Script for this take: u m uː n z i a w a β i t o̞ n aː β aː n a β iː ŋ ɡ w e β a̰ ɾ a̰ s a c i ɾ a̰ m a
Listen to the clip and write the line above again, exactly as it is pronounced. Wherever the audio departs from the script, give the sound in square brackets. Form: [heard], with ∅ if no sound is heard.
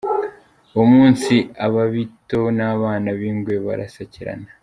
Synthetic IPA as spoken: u m uː n [s] i a [β] a β i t o̞ n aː β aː n a β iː ŋ ɡ w e β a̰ ɾ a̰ s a c i ɾ a̰ [n] a